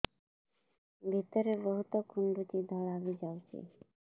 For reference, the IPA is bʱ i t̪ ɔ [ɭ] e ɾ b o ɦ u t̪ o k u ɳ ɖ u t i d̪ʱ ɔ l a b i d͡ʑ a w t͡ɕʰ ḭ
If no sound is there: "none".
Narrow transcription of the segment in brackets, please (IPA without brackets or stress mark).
ɾ